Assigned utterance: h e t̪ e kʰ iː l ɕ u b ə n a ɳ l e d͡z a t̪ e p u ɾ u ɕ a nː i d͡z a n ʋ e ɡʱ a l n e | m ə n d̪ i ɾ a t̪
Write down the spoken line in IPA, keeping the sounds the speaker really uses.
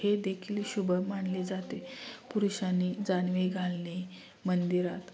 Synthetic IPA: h e d̪ e kʰ iː l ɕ u b ə m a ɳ l e d͡z a t̪ e p u ɾ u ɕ a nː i d͡z a n ʋ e ɡʱ a l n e | m ə n d̪ i ɾ a t̪